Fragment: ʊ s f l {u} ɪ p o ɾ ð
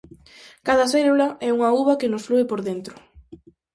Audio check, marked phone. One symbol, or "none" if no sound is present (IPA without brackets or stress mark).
u